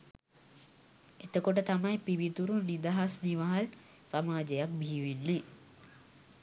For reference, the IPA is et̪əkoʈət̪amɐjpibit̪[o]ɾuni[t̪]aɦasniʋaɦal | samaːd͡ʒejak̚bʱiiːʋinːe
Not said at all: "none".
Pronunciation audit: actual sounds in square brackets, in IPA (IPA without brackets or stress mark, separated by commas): u, d̪